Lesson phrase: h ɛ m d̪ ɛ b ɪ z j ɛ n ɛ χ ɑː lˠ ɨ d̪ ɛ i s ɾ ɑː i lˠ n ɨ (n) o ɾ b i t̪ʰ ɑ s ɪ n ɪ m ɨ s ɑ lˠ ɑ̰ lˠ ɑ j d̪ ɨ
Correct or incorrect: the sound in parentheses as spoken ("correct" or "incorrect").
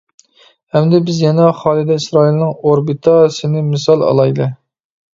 incorrect